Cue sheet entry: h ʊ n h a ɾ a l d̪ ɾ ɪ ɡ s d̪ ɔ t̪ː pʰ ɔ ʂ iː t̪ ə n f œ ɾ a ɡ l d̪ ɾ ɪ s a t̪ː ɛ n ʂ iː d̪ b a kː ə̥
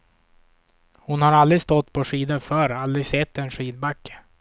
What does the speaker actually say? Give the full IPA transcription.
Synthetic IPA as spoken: h ʊ n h a ɾ a l d̪ ɾ ɪ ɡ s t̪ ɔ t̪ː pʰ ɔ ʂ iː d̪ ə n f œ ɾ a l d̪ ɾ ɪ s ɛ t̪ː ɛ n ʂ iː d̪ b a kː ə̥